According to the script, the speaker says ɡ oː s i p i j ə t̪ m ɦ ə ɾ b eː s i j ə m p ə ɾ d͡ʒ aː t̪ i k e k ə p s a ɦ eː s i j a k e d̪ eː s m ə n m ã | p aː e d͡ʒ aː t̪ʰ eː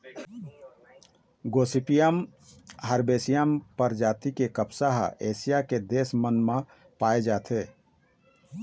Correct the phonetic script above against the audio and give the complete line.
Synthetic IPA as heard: ɡ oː s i p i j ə m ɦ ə ɾ b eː s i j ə m p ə ɾ d͡ʒ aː t̪ i k e k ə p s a ɦ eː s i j a k e d̪ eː s m ə n m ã | p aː e d͡ʒ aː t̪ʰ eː